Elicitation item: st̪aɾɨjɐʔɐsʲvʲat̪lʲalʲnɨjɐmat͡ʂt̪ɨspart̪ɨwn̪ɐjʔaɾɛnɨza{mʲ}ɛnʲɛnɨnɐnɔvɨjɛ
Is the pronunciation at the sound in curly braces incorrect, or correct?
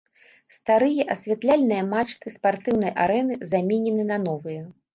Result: correct